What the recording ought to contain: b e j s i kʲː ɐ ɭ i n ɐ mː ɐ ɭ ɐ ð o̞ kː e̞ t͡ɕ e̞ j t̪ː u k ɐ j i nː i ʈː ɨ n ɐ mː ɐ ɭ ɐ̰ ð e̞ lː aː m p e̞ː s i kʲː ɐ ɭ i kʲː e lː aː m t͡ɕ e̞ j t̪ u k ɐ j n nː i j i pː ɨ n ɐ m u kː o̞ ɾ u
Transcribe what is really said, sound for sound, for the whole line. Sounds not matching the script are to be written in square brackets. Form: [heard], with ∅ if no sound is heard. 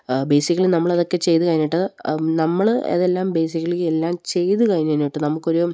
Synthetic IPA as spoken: b e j s i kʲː ɐ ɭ i n ɐ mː ɐ ɭ ɐ ð o̞ kː e̞ t͡ɕ e̞ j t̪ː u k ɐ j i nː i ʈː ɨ n ɐ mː ɐ ɭ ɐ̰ ð e̞ lː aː m [b] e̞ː s i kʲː ɐ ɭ i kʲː e lː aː m t͡ɕ e̞ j t̪ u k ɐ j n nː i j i [ʈː] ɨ n ɐ m u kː o̞ ɾ u